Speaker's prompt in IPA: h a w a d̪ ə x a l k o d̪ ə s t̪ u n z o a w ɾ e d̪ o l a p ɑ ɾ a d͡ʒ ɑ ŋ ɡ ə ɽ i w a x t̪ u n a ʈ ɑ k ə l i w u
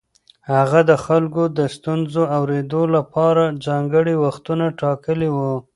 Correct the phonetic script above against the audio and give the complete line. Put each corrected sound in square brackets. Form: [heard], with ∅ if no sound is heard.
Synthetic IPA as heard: h a [ɣ] a d̪ ə x a l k o d̪ ə s t̪ u n z o a w ɾ e d̪ o l a p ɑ ɾ a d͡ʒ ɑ ŋ ɡ ə ɽ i w a x t̪ u n a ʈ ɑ k ə l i w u

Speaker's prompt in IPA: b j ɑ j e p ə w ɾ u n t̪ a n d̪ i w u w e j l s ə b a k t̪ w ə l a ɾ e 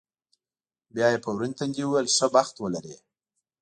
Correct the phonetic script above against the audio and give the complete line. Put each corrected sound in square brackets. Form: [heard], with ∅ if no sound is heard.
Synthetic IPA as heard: b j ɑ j e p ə w ɾ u n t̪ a n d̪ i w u w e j l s ə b a [x] t̪ w ə l a ɾ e

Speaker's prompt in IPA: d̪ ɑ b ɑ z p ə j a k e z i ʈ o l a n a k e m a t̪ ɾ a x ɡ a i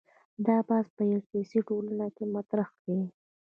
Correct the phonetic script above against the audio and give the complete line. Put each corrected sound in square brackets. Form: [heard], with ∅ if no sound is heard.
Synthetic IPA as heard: d̪ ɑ b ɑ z p ə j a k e [s] i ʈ o l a n a k e m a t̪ ɾ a x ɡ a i

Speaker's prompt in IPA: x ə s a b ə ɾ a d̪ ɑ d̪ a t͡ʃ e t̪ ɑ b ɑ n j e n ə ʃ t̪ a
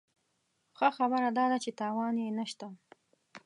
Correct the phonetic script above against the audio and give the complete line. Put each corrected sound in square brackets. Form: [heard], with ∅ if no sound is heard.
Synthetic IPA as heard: x ə [x] a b ə ɾ a d̪ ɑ d̪ a t͡ʃ e t̪ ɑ [w] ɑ n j e n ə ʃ t̪ a

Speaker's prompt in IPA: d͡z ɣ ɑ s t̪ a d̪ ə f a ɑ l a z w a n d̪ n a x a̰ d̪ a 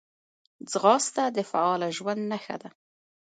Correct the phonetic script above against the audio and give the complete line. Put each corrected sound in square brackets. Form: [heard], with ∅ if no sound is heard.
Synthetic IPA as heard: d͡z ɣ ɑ s t̪ a d̪ ə f a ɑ l a [ʒ] w a n d̪ n a x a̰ d̪ a

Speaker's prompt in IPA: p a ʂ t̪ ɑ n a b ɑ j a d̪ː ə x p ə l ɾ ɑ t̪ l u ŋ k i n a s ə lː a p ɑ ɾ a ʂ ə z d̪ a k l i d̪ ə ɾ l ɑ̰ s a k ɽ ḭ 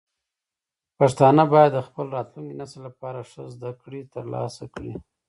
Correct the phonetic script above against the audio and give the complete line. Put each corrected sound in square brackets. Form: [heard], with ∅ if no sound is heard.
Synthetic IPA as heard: p a ʂ t̪ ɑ n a b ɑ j a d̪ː ə x p ə l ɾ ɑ t̪ l u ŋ k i n a s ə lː a p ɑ ɾ a ʂ ə z d̪ a k [ɽ] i [t̪] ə ɾ l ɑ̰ s a k ɽ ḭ

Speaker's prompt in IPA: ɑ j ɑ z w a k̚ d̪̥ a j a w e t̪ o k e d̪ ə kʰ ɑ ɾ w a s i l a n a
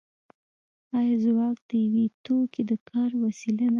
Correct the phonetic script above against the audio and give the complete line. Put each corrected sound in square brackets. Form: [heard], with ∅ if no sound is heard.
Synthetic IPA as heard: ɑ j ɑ z w [ɑ] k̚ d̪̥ [ə] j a w e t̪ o k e d̪ ə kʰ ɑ ɾ w a s i l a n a

